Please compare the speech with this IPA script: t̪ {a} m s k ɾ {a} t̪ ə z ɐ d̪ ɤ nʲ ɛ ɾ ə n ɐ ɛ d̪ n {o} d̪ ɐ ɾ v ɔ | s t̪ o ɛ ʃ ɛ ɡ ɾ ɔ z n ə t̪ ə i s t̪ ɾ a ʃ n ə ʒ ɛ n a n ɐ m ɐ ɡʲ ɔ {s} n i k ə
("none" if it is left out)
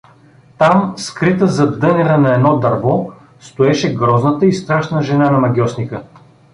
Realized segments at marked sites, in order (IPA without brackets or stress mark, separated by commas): a, i, ɔ, s